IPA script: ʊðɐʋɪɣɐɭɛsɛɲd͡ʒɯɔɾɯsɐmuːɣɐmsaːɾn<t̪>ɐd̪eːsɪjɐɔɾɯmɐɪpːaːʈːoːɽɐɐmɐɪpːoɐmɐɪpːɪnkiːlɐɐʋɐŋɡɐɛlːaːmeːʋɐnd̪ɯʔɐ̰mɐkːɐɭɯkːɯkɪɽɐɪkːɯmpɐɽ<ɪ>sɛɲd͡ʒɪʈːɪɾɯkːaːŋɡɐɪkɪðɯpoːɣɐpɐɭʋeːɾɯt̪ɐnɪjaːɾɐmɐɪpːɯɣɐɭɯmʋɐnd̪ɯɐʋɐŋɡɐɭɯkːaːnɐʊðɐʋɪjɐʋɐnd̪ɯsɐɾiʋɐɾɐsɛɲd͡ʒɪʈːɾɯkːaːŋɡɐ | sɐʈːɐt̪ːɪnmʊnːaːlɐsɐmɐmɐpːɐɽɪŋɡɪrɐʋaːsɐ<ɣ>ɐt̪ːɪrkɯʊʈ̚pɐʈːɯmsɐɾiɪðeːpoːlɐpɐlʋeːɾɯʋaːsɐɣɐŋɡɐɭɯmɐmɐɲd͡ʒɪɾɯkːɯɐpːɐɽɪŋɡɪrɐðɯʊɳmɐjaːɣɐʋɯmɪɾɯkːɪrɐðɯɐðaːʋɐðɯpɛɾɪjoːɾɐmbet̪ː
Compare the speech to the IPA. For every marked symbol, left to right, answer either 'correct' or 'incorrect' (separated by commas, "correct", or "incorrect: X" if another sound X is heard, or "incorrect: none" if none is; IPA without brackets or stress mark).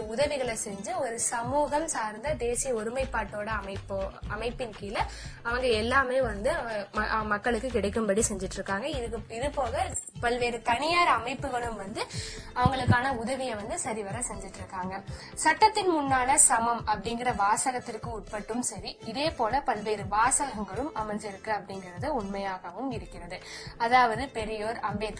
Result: incorrect: d̪, incorrect: i, correct